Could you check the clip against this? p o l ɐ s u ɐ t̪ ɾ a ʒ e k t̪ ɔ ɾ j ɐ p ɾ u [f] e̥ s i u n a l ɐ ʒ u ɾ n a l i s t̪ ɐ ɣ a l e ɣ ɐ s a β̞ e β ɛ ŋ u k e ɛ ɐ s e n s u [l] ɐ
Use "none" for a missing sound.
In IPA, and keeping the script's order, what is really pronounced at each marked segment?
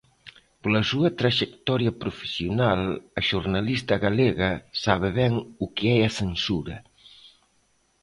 f, ɾ

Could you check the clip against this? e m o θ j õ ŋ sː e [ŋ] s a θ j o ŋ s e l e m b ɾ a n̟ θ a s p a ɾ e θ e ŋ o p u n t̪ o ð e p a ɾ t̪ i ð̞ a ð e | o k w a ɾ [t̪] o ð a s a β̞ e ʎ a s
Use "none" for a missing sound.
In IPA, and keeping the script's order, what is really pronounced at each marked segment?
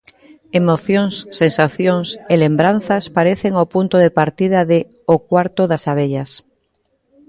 n, t̪

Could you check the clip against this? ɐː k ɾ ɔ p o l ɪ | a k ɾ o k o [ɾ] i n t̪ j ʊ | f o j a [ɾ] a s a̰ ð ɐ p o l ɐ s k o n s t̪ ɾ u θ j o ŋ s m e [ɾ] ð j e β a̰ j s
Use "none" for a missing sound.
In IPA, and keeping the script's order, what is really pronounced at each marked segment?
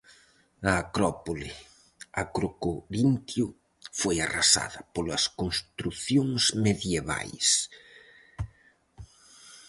ɾ, r, none

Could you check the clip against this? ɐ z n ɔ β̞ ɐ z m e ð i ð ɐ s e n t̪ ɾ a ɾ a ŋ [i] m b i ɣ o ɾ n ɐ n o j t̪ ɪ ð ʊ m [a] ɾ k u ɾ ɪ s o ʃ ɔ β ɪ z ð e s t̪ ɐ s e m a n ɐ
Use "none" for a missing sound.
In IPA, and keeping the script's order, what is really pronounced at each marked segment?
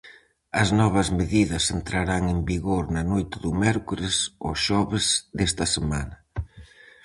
e, ɛ

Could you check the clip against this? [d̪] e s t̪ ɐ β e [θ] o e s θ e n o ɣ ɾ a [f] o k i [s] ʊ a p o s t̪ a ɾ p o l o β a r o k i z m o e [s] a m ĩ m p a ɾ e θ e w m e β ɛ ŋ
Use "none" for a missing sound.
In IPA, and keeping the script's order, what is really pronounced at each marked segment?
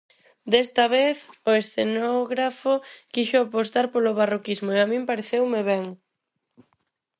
d̪, θ, f, ʃ, none

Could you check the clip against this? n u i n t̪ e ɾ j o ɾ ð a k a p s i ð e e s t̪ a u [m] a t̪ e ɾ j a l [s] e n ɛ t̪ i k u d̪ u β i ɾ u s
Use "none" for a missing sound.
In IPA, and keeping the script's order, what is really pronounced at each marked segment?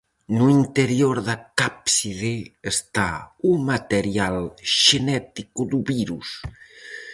m, ʃ

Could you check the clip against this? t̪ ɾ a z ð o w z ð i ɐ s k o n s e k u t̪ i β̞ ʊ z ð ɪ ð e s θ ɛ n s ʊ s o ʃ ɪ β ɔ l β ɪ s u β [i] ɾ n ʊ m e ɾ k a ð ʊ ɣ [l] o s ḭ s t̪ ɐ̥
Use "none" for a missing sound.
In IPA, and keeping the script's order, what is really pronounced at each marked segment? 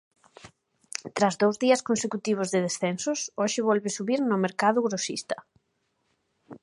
i, ɾ

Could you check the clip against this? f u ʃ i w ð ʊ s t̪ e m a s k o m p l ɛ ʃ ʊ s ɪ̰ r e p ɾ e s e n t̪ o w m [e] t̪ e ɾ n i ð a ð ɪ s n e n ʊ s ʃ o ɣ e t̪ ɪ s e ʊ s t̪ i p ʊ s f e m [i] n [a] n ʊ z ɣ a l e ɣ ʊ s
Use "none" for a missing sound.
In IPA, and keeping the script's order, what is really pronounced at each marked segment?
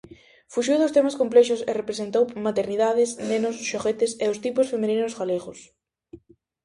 a, e, i

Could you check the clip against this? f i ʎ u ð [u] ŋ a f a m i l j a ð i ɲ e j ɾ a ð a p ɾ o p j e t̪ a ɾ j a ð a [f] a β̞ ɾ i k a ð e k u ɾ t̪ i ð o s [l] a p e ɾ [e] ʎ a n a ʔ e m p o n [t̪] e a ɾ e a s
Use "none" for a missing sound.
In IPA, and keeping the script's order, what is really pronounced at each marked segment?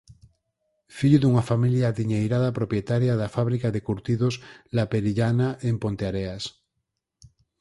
u, f, l, i, t̪

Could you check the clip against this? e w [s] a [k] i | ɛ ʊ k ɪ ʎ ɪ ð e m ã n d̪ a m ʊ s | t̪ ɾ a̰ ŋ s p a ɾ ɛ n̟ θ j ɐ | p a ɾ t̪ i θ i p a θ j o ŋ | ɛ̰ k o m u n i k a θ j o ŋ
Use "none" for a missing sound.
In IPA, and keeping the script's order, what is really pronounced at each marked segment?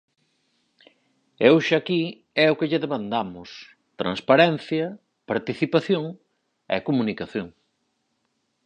ʃ, k

